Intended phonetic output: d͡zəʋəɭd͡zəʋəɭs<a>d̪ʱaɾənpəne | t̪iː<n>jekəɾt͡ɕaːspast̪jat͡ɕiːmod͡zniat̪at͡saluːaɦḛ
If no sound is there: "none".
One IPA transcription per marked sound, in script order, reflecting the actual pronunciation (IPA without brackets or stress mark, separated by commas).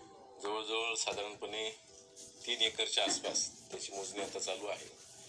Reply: a, n